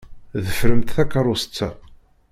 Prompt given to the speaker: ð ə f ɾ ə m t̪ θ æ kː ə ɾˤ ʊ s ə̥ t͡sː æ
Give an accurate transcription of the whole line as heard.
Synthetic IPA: ð ə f ɾ ə m t̪ θ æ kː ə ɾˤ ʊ s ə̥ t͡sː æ